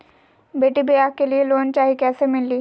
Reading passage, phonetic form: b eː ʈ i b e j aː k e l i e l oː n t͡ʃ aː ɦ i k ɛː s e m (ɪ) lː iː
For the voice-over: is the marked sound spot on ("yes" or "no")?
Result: yes